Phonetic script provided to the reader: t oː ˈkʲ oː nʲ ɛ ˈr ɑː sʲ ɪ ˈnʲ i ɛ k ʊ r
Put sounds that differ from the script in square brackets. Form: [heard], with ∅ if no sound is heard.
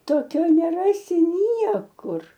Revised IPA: t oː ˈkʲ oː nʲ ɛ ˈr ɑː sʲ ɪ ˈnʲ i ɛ k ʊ r